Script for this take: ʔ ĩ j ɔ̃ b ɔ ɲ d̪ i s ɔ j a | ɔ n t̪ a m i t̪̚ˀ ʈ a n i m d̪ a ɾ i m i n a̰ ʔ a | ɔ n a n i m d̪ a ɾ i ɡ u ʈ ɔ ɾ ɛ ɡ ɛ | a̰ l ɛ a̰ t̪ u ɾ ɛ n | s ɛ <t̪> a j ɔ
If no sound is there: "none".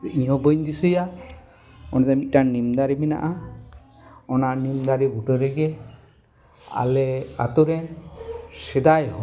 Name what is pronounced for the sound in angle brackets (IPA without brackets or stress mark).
d̪